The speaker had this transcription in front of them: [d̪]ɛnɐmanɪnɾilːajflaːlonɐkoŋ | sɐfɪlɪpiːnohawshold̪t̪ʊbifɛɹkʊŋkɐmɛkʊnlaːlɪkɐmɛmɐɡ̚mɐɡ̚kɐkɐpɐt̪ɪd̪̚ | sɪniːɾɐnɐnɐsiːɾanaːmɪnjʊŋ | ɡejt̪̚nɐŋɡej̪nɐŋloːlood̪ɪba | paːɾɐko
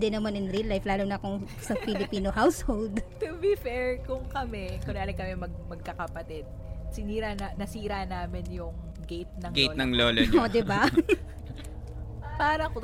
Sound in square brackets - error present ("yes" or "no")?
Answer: no